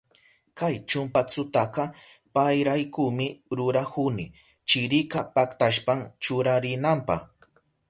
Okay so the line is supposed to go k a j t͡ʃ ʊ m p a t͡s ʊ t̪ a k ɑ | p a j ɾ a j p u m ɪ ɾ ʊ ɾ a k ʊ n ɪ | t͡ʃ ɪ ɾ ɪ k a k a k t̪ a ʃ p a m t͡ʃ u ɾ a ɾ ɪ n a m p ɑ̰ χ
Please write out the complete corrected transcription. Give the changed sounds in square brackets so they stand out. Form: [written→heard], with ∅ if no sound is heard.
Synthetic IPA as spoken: k a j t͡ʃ ʊ m p a t͡s ʊ t̪ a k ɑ | p a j ɾ a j [p→k] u m ɪ ɾ ʊ ɾ a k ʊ n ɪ | t͡ʃ ɪ ɾ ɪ k a [k→p] a k t̪ a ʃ p a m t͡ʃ [u→ʊ] ɾ a ɾ ɪ n a m p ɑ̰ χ